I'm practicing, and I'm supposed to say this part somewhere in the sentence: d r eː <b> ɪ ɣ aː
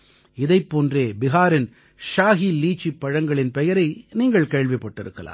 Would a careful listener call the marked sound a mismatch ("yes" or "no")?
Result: no